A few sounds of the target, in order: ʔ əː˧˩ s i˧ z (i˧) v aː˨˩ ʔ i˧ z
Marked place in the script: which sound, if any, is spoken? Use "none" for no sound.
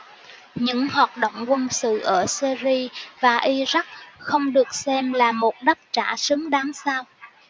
i˧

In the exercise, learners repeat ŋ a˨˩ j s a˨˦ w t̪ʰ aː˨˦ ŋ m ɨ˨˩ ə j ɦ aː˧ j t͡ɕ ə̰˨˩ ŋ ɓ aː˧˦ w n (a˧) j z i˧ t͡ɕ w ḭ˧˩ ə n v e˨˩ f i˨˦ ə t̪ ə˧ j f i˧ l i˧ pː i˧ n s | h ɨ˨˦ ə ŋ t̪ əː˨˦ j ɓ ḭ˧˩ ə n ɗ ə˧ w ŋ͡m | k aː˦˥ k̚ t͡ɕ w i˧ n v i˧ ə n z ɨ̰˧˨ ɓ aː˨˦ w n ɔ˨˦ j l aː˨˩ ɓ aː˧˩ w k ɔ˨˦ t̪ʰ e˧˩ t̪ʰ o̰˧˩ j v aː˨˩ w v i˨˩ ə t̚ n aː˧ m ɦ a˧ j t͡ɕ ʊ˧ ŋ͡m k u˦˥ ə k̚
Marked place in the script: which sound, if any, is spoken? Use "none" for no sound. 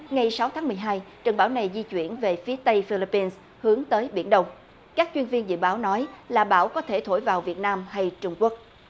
a˨˩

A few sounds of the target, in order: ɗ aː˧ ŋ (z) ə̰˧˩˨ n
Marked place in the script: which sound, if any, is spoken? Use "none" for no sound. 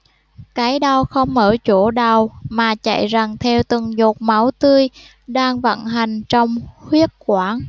v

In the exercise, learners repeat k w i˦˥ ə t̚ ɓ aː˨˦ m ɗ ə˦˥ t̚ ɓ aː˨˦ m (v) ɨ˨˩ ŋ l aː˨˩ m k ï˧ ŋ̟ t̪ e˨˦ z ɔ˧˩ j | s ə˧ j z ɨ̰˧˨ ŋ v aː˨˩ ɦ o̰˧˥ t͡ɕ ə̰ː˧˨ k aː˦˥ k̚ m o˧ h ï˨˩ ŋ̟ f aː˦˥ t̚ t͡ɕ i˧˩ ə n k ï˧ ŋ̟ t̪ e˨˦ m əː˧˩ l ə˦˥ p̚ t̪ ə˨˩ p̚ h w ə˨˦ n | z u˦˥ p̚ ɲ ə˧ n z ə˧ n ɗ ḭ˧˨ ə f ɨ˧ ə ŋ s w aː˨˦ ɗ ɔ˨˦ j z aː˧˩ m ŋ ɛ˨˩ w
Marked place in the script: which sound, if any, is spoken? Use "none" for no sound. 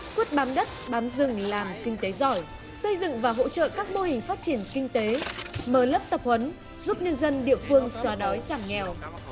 z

